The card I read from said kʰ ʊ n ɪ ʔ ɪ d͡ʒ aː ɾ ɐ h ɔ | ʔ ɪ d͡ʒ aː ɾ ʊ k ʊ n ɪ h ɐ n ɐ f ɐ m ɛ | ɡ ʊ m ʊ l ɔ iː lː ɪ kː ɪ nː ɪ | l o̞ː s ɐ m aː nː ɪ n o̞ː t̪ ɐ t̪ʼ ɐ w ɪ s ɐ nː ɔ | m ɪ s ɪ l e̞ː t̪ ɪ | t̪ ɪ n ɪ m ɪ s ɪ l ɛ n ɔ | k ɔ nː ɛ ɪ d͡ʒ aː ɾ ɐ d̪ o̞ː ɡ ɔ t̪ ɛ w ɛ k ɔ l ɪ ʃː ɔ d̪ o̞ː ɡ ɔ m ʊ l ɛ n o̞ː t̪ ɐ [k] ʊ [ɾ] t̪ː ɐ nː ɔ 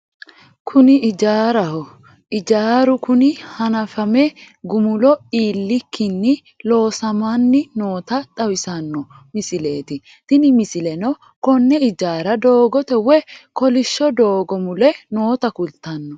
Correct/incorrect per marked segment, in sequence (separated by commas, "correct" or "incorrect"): correct, incorrect